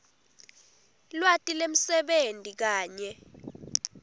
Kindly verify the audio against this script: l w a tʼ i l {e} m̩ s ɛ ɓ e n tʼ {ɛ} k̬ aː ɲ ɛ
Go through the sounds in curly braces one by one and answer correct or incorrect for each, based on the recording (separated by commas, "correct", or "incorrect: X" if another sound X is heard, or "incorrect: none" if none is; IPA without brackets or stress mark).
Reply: correct, incorrect: i